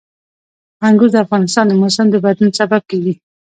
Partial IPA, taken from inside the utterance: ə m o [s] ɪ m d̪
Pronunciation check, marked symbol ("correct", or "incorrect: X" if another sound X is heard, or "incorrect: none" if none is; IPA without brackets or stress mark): correct